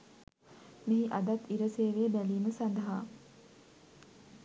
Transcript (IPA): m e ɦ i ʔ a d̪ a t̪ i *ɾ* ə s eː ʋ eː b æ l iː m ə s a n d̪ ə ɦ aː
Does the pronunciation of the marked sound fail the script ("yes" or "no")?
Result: no